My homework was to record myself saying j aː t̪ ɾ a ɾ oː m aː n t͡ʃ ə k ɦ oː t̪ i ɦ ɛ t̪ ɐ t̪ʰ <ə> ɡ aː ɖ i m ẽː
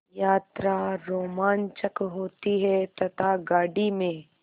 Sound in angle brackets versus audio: incorrect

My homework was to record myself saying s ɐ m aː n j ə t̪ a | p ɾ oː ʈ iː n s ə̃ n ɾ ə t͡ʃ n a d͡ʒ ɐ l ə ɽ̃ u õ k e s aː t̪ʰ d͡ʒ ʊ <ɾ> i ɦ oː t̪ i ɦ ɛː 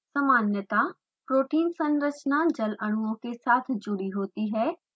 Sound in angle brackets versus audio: incorrect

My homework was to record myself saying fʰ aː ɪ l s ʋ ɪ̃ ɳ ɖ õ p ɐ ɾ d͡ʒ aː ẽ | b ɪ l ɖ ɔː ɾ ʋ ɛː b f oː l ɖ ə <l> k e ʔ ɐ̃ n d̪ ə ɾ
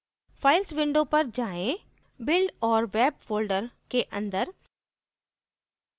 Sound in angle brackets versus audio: incorrect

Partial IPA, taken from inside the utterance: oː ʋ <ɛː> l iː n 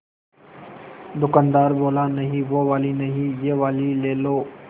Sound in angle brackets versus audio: incorrect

